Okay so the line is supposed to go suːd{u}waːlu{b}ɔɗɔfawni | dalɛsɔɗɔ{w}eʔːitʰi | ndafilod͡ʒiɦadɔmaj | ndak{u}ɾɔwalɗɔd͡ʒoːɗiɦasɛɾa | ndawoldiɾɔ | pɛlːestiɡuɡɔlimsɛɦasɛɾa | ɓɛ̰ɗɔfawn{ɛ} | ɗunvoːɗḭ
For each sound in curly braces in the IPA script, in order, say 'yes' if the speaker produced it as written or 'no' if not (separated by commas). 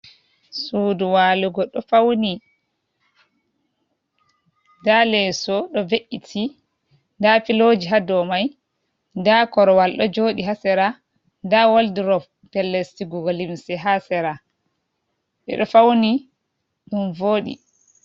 yes, no, no, no, no